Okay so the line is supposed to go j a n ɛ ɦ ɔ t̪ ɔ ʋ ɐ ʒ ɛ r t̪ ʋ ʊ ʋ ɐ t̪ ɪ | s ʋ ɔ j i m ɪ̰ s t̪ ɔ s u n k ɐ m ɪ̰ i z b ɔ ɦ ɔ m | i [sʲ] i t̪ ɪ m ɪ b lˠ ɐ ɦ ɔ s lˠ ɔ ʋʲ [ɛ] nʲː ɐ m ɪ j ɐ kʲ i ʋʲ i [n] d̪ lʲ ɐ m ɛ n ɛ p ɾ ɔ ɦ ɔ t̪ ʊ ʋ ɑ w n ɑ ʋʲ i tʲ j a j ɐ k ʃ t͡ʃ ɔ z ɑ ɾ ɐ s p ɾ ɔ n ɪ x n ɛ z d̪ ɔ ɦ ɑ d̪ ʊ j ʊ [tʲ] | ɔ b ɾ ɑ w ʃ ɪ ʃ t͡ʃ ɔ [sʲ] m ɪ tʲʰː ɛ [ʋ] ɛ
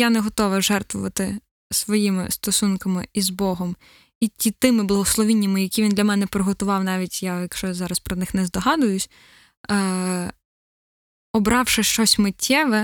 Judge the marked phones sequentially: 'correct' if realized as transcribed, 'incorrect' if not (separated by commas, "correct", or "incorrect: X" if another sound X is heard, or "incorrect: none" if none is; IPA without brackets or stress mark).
incorrect: tʲ, incorrect: i, correct, incorrect: sʲ, correct, correct